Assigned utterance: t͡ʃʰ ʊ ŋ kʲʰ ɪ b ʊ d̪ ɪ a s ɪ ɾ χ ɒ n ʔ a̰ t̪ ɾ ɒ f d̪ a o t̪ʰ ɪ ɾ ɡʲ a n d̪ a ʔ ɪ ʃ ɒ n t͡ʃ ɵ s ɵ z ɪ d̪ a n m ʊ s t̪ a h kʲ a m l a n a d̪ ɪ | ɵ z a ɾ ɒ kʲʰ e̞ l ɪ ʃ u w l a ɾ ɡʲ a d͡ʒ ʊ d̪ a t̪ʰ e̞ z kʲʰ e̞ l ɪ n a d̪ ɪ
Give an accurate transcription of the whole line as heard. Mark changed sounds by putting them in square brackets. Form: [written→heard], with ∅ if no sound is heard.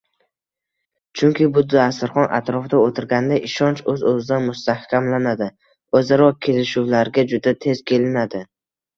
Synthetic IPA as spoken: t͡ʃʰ ʊ ŋ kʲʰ ɪ b ʊ d̪ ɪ a s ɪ ɾ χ ɒ n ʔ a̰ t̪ ɾ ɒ f d̪ a o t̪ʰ ɪ ɾ ɡʲ a n d̪ a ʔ ɪ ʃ ɒ n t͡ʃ ɵ [s→z] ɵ z ɪ d̪ a n m ʊ s t̪ a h kʲ a m l a n a d̪ ɪ | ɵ z a ɾ ɒ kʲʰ e̞ l ɪ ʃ u w l a ɾ ɡʲ a d͡ʒ ʊ d̪ a t̪ʰ e̞ z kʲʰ e̞ l ɪ n a d̪ ɪ